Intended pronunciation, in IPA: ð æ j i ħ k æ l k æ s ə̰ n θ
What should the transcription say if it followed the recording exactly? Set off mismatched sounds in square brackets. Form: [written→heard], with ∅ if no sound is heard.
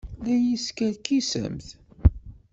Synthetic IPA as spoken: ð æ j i [ħ→s] k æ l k [æ→i] s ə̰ [n→m] θ